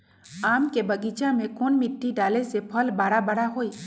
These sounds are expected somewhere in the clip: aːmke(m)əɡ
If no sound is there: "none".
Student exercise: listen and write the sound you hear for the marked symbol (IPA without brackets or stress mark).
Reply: b